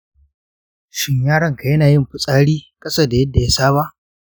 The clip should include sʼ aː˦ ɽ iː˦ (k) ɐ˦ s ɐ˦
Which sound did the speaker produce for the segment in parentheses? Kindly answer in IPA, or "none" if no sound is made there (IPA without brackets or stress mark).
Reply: kʼ